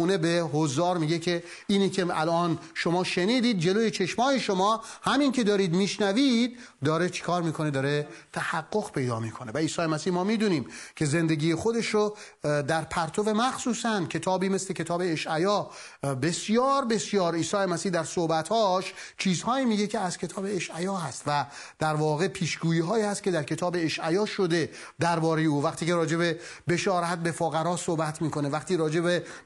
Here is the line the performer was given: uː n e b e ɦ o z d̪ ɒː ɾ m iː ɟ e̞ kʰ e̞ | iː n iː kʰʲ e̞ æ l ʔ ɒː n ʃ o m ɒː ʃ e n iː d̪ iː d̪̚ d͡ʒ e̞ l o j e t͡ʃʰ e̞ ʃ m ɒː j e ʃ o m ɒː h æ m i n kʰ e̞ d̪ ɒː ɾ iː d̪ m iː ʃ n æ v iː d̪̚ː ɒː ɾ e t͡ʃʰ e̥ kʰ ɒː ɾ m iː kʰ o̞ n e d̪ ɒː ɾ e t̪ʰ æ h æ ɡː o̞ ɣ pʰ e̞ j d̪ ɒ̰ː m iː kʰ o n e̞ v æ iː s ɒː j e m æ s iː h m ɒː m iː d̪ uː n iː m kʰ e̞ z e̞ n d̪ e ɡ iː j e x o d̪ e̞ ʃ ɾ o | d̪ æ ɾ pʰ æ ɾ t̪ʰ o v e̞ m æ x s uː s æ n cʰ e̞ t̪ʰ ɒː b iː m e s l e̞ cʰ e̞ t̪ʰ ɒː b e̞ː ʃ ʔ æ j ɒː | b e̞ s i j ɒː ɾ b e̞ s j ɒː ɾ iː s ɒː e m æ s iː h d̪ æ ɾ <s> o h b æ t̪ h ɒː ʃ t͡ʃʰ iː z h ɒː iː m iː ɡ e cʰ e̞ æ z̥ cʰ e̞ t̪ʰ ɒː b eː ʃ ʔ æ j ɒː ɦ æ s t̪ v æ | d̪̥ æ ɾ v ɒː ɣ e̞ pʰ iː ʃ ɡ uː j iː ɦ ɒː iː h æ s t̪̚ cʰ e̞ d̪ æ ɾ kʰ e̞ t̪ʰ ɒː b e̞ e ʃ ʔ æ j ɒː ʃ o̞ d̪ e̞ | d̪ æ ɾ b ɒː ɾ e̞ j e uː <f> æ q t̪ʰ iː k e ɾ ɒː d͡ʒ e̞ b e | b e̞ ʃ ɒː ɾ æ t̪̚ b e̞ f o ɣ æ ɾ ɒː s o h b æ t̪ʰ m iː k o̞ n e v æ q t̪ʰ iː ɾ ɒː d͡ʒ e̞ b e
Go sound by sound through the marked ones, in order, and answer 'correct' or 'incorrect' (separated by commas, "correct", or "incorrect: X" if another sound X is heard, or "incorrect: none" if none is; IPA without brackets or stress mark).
correct, incorrect: v